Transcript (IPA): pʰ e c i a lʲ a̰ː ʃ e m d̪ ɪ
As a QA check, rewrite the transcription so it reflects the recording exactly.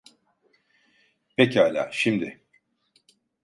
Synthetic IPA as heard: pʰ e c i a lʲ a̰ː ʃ i m d̪ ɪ

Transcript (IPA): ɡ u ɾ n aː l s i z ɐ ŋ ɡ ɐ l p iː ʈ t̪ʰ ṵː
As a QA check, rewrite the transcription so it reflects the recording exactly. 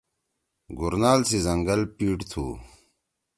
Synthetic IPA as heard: ɡ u ɾ n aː l s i z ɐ ŋ ɡ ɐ l p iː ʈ t̪ʰ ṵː

